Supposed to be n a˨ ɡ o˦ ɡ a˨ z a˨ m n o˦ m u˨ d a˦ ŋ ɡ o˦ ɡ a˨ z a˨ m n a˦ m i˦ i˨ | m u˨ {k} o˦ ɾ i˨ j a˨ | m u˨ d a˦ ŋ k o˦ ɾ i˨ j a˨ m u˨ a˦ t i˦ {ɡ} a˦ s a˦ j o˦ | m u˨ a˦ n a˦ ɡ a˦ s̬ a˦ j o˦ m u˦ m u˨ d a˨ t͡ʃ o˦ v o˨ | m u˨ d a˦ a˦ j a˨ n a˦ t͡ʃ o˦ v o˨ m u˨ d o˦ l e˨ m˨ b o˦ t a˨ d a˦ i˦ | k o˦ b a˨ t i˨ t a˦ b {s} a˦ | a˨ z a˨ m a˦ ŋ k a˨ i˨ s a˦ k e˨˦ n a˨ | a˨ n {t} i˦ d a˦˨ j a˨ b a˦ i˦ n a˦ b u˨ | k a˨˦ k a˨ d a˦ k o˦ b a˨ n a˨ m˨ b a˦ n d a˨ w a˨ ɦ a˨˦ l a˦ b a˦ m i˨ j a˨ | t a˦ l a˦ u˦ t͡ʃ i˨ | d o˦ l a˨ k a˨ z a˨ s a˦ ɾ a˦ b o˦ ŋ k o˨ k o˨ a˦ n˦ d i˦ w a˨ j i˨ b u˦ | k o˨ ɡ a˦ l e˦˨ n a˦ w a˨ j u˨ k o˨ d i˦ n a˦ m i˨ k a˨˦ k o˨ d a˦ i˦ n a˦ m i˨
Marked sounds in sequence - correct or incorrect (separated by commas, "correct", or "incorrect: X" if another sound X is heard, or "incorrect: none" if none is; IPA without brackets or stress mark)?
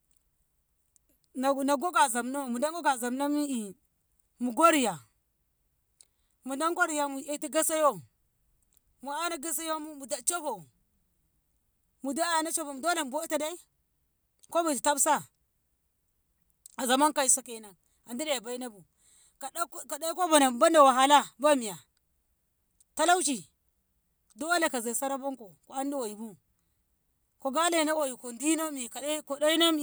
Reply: incorrect: ɡ, correct, correct, incorrect: d